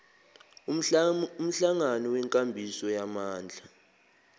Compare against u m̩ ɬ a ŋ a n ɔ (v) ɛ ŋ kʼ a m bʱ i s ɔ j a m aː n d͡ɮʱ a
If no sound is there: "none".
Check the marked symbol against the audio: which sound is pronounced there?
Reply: w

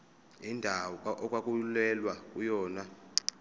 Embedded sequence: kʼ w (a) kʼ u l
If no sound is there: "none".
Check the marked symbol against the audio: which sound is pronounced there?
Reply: a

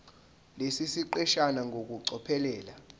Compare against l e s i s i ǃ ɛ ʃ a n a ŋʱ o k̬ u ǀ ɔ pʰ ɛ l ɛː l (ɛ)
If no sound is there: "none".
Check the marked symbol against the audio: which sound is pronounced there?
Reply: a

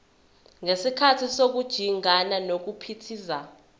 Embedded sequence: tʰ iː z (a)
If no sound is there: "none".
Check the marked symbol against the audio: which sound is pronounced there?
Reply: a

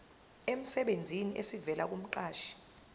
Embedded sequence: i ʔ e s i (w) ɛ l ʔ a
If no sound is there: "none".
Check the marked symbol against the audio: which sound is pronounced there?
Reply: v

